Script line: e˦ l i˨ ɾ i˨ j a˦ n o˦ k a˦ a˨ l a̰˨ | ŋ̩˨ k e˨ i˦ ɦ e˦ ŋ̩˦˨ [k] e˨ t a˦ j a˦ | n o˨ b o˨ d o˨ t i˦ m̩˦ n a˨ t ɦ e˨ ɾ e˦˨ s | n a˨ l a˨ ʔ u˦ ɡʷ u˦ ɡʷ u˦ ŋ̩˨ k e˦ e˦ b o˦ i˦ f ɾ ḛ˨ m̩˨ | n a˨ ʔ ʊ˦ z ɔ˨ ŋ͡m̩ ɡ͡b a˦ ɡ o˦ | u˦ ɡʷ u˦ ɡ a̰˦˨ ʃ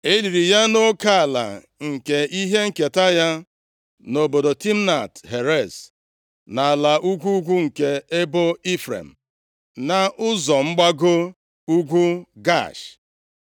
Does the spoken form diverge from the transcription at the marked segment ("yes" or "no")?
no